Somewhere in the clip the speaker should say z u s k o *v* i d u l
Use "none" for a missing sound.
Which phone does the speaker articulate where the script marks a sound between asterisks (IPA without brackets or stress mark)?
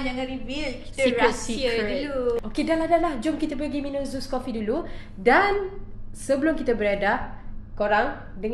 f